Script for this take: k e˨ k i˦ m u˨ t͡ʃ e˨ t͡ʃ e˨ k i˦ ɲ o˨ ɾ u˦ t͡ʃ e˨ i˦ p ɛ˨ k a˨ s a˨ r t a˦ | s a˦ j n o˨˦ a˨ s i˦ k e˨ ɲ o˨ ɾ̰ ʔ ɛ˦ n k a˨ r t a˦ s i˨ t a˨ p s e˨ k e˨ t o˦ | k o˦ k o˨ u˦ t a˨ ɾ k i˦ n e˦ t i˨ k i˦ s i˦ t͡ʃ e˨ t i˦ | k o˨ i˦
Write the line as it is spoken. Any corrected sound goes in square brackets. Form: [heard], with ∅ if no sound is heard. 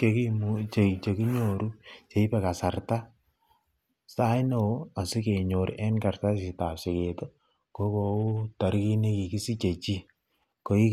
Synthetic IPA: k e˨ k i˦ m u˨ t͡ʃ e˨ t͡ʃ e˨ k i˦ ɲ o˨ ɾ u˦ t͡ʃ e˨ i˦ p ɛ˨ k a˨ s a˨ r t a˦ | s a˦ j n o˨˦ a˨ s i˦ k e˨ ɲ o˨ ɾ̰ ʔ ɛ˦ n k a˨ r t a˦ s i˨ t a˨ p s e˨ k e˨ t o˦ | k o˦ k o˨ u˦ t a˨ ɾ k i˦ n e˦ [k] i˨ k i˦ s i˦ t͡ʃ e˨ [t͡ʃ] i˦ | k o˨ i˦

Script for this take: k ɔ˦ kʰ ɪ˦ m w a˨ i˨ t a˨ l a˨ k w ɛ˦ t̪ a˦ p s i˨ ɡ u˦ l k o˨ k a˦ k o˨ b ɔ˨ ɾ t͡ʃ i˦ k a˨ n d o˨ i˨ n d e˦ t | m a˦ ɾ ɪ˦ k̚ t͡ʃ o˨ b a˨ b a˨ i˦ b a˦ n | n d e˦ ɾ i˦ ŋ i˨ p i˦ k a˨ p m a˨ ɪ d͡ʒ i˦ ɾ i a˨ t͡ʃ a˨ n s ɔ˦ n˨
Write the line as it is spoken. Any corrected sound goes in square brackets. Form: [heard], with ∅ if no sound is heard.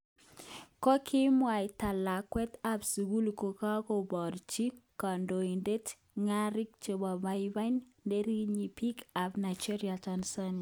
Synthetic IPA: k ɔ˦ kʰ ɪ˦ m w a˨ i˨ t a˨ l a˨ k w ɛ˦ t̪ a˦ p s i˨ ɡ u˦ l k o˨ k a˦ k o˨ b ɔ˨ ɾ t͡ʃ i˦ k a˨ n d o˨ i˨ n d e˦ t | [ŋ] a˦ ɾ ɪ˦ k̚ t͡ʃ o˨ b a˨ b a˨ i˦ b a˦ n | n d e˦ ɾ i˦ [ɲ] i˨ p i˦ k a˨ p [n] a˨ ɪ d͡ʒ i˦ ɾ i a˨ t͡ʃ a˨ n s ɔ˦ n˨

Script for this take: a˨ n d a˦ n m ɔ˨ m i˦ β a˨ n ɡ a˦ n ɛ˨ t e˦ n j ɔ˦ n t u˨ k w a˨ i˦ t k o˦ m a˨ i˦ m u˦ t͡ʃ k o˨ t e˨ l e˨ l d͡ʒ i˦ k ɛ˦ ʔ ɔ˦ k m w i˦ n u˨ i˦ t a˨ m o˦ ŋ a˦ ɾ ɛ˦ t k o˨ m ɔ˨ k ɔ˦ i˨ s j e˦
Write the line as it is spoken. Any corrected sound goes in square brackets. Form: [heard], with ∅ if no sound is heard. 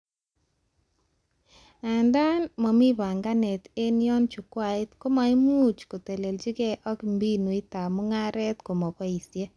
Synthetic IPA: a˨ n d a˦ n m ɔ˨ m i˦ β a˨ [ŋ] ɡ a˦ n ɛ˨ t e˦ n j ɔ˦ n [t͡ʃ] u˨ k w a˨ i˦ t k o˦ m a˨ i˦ m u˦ t͡ʃ k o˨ t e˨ l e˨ l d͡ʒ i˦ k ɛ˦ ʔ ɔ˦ k m [b] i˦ n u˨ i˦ t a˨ m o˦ ŋ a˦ ɾ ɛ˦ t k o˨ m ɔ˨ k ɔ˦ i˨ s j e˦

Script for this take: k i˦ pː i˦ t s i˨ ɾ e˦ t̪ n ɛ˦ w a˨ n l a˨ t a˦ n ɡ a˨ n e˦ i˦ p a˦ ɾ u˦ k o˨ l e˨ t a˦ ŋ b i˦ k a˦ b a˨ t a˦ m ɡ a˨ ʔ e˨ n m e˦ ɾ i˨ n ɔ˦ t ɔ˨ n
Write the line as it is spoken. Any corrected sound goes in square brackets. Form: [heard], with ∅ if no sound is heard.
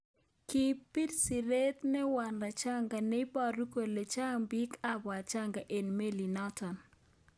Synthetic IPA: k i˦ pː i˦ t s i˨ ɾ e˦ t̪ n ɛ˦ w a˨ n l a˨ [t͡ʃ] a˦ [ŋ] ɡ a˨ n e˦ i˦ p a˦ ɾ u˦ k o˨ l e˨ [t͡ʃ] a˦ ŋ b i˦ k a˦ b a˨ [t͡ʃ] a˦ [ŋ] ɡ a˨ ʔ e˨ n m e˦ [l] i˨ n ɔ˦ t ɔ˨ n

